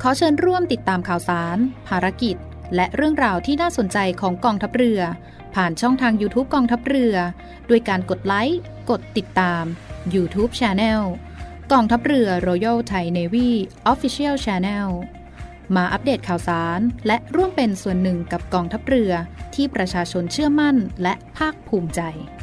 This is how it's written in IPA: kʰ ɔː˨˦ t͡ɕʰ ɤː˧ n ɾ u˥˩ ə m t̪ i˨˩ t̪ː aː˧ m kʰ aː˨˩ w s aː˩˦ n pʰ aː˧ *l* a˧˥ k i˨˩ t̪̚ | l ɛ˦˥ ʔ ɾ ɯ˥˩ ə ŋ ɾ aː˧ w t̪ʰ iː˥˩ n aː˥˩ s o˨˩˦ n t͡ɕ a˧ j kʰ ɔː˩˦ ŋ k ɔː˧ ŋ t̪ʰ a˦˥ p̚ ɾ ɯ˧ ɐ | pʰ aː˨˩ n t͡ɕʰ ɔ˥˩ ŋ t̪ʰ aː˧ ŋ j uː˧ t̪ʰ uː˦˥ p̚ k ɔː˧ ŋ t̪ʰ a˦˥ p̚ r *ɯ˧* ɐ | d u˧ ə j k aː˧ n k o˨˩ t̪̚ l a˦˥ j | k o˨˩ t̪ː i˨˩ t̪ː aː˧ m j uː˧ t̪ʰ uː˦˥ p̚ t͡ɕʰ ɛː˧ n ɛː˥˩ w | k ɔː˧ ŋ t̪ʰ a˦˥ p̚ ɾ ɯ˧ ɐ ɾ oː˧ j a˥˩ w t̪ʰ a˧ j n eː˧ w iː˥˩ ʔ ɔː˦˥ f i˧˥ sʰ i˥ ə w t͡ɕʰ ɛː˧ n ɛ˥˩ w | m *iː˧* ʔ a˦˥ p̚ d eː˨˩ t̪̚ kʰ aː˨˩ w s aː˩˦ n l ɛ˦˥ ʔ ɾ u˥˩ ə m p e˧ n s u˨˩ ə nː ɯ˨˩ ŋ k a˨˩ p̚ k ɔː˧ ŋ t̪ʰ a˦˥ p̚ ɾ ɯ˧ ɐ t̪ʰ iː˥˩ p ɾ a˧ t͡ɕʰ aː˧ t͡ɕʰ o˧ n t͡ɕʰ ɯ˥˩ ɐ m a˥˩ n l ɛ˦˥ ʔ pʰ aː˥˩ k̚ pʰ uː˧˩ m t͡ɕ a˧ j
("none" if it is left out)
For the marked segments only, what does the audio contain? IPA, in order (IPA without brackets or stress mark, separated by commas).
ɾ, ɯ˧, aː˧